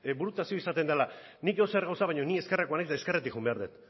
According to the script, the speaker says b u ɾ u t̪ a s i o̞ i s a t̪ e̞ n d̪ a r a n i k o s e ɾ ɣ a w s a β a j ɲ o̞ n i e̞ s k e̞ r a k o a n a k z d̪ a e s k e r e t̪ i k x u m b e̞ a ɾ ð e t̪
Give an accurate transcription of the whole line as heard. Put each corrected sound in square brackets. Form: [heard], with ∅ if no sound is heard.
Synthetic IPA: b u ɾ u t̪ a s i o̞ i s a t̪ e̞ n d̪ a [l] a n i k o s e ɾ ɣ a w s a β a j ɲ o̞ n i e̞ s k e̞ r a k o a n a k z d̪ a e s k e r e t̪ i k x u m b e̞ a ɾ ð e t̪